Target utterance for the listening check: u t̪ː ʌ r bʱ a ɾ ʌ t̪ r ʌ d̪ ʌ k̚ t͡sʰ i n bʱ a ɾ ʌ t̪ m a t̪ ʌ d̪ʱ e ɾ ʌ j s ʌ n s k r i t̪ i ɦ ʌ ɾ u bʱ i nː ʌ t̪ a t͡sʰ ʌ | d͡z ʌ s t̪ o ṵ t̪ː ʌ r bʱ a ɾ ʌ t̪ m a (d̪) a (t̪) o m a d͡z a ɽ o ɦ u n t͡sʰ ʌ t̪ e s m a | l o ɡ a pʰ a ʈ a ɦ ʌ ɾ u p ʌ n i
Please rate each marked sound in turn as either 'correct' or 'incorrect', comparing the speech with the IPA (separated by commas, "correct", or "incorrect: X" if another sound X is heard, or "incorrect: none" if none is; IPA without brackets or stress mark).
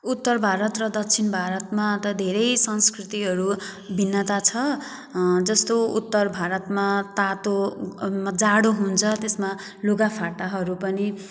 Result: incorrect: t̪, correct